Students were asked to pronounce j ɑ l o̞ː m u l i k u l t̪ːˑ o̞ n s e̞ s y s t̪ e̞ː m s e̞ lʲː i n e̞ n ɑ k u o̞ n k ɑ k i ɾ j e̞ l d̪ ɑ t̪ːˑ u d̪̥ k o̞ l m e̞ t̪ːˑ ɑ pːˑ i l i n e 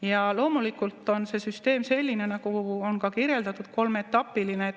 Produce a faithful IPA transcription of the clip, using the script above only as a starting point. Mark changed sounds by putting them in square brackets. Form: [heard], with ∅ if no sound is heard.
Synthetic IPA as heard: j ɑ l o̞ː m u l i k u l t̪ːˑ o̞ n s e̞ s y s t̪ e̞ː m s e̞ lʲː i n e̞ n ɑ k u o̞ n k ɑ k i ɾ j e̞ l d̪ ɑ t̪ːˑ u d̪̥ k o̞ l m e̞ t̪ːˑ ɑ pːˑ i l i n e